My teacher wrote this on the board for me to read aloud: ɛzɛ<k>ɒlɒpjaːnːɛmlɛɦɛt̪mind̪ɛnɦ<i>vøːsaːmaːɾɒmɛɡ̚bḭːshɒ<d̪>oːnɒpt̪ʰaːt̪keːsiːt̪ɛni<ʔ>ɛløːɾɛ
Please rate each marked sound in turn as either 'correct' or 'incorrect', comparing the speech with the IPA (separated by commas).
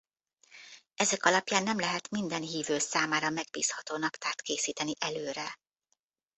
correct, incorrect, incorrect, correct